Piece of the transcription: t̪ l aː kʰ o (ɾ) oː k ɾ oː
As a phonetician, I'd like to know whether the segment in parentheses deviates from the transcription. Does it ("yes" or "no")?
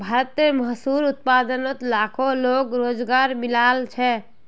yes